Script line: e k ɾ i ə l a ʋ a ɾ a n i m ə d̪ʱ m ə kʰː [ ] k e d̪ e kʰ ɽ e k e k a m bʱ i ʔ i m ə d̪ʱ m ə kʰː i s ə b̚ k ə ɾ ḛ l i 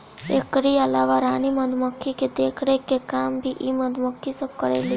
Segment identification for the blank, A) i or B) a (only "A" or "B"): A